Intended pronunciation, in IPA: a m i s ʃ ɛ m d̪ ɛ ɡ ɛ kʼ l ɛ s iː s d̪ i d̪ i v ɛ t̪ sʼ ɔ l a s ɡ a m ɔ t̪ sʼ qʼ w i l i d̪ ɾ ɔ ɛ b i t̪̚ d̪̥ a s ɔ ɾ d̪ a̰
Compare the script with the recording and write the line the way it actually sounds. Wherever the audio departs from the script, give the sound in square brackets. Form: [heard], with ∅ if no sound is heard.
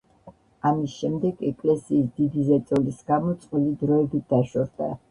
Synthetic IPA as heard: a m i s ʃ ɛ m d̪ ɛ ɡ ɛ kʼ l ɛ s iː s d̪ i d̪ i [z] ɛ t̪ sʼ ɔ l [i] s ɡ a m ɔ t̪ sʼ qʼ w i l i d̪ ɾ ɔ ɛ b i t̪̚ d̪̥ a [ʃ] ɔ ɾ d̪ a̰